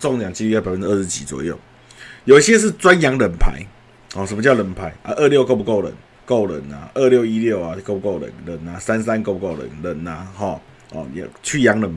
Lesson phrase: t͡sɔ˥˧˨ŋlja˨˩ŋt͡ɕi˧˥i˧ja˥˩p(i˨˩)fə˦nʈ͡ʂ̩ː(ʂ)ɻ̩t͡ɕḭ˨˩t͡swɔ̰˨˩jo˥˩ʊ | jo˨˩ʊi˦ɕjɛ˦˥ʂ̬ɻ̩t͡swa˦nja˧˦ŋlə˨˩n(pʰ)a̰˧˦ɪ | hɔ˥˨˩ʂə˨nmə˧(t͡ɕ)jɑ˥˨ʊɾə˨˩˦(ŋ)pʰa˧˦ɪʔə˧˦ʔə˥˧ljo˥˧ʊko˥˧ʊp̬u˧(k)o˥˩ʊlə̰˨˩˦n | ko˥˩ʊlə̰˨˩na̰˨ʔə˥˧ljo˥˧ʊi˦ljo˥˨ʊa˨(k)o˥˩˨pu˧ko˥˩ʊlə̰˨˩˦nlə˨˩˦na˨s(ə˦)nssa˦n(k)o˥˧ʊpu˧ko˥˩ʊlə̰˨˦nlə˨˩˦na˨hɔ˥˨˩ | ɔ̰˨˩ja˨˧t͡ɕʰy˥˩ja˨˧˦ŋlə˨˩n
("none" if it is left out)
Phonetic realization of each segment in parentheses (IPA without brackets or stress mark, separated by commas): a˨˩, ʂ, pʰ, t͡ɕ, n, k, k, a˦, k